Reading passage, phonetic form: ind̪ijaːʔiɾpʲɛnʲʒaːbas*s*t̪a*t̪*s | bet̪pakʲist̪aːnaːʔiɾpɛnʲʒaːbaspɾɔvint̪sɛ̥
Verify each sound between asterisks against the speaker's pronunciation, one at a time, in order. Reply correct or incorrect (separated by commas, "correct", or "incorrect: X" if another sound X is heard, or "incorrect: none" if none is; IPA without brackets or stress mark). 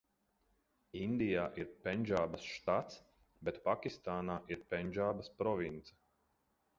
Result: incorrect: ʃ, correct